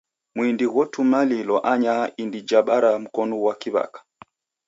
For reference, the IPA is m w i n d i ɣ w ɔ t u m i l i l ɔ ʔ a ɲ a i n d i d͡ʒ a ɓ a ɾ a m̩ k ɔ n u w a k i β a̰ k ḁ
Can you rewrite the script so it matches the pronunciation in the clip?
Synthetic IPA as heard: m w i n d i ɣ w ɔ t u m a l i l ɔ ʔ a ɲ a i n d i d͡ʒ a ɓ a ɾ a m̩ k ɔ n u w a k i β a̰ k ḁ